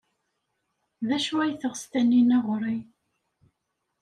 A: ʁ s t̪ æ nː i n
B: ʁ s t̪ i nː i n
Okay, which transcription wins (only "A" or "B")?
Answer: A